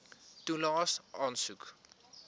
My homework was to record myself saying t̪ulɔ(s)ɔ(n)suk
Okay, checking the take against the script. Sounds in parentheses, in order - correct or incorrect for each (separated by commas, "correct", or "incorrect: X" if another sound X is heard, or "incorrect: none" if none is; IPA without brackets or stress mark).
correct, correct